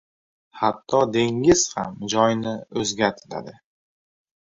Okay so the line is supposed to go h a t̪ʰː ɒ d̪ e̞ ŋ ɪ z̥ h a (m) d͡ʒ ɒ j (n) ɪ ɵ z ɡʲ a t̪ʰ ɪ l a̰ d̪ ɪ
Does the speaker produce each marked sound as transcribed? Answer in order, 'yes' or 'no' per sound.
yes, yes

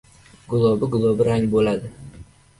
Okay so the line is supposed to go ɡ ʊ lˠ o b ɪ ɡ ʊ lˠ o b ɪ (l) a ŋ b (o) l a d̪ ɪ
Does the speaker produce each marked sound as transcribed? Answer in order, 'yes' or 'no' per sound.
no, yes

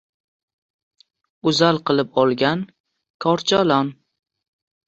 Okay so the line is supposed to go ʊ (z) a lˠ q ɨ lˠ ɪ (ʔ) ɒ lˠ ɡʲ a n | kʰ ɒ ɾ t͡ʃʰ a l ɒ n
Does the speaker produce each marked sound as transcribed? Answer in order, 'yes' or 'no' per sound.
yes, no

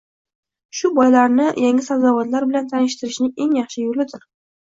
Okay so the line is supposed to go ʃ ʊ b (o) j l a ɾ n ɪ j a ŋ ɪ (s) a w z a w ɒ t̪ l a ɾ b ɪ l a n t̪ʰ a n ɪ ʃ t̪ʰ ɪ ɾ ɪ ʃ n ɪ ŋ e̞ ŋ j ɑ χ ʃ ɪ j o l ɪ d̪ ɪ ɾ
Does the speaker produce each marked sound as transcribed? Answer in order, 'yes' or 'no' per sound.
no, yes

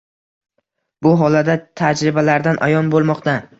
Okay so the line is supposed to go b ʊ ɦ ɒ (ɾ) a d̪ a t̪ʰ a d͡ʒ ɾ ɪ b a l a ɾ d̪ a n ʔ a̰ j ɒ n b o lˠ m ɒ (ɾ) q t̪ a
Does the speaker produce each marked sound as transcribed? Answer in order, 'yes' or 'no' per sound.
no, no

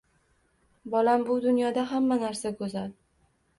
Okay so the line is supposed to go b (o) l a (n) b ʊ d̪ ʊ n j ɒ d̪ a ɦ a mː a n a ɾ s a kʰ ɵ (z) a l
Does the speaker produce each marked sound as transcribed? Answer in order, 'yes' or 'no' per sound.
no, no, yes

